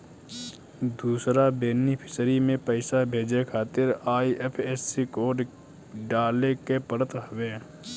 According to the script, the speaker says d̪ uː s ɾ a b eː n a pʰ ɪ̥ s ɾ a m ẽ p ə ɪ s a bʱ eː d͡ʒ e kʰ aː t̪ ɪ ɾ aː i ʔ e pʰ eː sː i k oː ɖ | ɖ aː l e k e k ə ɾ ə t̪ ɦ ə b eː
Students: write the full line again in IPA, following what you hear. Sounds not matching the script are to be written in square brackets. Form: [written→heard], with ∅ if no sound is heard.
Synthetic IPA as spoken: d̪ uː s ɾ a b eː n [a→i] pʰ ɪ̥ s ɾ [a→i] m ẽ p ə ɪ s a bʱ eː d͡ʒ e kʰ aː t̪ ɪ ɾ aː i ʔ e pʰ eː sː i k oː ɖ | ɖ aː l e k e [k→p] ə ɾ ə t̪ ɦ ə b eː